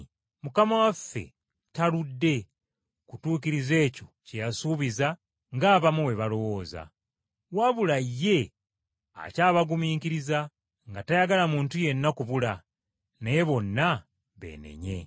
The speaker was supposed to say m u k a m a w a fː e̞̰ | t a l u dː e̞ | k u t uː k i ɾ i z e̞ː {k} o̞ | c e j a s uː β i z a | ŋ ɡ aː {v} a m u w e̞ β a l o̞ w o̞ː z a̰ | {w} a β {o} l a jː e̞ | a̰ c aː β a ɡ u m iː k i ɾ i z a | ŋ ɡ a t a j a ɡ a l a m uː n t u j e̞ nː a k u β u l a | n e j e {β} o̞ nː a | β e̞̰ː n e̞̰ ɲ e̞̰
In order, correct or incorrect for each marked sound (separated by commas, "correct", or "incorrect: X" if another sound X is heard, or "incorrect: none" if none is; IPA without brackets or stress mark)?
incorrect: c, incorrect: β, correct, incorrect: u, correct